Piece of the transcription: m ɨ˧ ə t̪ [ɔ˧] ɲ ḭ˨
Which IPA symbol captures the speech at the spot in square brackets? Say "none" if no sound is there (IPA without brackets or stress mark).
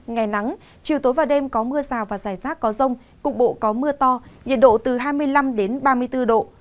ɔ˧